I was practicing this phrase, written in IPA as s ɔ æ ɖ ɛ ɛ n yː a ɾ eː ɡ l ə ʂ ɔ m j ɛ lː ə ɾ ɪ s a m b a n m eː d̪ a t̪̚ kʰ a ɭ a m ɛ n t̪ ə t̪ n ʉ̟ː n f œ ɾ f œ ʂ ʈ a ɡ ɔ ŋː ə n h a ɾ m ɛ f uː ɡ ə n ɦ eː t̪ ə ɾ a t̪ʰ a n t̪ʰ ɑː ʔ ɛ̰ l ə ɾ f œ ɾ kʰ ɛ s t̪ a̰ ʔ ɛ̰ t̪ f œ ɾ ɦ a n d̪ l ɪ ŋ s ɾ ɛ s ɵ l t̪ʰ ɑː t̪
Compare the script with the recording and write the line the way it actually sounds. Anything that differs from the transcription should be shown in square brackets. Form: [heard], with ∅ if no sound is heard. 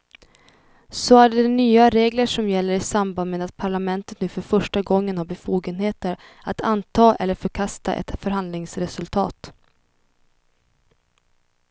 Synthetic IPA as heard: s ɔ æ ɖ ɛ ɛ n yː a ɾ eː ɡ l ə ʂ ɔ m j ɛ lː ə ɾ ɪ s a m b a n m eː d̪ a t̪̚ [pʰ] a ɭ a m ɛ n t̪ ə t̪ n ʉ̟ː [∅] f œ ɾ f œ ʂ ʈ a ɡ ɔ ŋː ə n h a ɾ [b] ɛ f uː ɡ ə n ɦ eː t̪ ə ɾ a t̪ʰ a n t̪ʰ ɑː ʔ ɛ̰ [lː] ə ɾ f œ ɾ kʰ [a] s t̪ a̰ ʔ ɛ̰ t̪ f œ ɾ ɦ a n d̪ l ɪ ŋ s ɾ ɛ s ɵ l t̪ʰ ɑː t̪